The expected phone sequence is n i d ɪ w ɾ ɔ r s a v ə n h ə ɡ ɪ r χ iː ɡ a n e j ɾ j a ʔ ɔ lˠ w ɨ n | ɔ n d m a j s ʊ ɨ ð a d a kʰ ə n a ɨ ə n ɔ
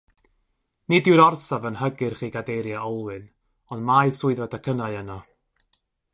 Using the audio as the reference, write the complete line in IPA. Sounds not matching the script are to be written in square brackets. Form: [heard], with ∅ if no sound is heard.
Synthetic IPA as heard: n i d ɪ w ɾ ɔ r s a v ə n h ə ɡ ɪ r χ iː ɡ a [d] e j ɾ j a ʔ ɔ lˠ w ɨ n | ɔ n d m a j s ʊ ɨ ð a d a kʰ ə n a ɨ ə n ɔ